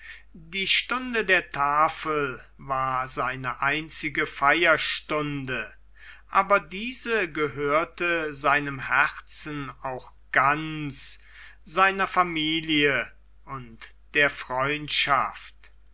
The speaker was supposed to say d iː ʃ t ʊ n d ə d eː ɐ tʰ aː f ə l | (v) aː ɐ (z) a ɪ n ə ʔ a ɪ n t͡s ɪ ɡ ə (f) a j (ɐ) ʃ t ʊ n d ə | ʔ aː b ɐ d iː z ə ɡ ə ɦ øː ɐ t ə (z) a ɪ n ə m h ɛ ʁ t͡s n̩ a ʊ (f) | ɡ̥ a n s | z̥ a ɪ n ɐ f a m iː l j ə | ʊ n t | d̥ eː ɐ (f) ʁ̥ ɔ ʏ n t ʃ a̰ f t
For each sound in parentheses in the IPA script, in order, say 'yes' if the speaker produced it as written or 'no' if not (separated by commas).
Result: yes, yes, yes, yes, yes, no, yes